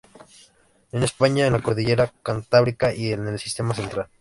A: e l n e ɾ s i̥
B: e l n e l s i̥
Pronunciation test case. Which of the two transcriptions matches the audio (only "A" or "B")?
B